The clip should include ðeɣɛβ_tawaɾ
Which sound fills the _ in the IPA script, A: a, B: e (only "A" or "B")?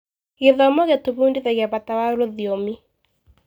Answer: A